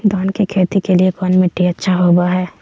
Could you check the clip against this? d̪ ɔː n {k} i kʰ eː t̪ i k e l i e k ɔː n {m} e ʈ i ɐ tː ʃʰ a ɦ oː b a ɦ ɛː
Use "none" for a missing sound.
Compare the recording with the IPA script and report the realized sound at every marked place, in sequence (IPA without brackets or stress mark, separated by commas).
k, m